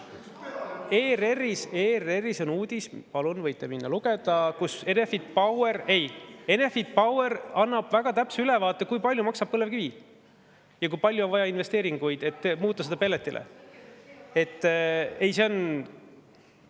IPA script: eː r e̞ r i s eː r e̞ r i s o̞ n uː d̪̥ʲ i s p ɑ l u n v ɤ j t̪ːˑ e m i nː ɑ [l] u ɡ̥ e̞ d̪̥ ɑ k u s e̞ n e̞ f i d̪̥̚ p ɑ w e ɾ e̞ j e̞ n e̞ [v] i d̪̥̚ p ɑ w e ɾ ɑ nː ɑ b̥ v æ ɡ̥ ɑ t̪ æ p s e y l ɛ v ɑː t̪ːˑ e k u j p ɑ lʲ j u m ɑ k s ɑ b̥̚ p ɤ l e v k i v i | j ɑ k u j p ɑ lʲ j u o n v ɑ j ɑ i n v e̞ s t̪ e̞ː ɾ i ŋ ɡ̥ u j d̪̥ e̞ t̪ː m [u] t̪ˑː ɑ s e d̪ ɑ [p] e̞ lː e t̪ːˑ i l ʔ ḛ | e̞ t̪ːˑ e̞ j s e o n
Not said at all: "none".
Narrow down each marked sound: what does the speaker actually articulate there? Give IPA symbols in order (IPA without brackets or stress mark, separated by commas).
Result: l, f, uː, p